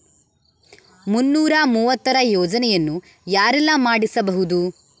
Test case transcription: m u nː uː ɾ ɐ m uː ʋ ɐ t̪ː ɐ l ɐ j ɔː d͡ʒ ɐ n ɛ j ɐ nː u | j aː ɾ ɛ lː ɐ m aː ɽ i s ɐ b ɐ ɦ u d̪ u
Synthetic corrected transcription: m u nː uː ɾ ɐ m uː ʋ ɐ t̪ː ɐ ɾ ɐ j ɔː d͡ʒ ɐ n ɛ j ɐ nː u | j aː ɾ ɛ lː ɐ m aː ɽ i s ɐ b ɐ ɦ u d̪ u